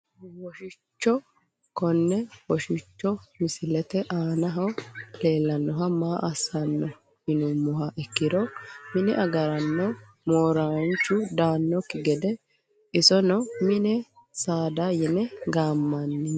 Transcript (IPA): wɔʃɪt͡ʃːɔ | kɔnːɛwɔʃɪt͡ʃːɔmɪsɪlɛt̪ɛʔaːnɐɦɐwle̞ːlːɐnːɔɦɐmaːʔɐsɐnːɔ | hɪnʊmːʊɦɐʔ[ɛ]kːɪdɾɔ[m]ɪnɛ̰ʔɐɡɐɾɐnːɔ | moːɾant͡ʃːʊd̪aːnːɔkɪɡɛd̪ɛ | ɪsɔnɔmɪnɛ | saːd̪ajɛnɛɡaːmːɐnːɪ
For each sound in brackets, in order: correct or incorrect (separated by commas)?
correct, correct